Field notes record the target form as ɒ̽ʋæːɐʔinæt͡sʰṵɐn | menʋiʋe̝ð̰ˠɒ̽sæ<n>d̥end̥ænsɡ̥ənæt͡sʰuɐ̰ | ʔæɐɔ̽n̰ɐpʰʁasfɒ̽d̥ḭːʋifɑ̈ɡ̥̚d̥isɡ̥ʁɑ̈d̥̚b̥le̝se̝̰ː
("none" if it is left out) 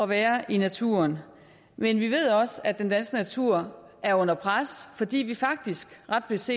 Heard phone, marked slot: none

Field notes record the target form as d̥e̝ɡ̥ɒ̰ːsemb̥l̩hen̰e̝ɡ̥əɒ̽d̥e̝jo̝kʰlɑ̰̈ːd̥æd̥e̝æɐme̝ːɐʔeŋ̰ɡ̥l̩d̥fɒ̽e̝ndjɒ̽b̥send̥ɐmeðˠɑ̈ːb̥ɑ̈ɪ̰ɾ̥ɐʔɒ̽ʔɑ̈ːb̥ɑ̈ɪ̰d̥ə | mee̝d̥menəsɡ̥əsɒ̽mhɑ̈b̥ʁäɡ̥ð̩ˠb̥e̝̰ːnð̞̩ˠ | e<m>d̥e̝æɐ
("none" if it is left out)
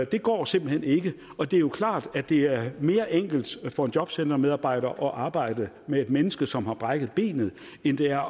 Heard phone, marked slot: n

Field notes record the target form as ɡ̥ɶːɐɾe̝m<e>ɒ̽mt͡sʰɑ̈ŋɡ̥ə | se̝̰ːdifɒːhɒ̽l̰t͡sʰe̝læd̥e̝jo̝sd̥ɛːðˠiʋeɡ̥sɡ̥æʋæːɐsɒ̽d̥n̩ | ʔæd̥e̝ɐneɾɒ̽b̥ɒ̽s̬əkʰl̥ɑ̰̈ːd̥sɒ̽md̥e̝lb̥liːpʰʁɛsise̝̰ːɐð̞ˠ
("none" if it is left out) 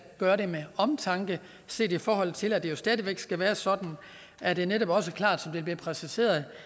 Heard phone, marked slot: e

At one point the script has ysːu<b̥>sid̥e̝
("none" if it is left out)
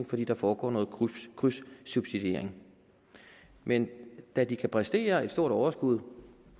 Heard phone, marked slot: b̥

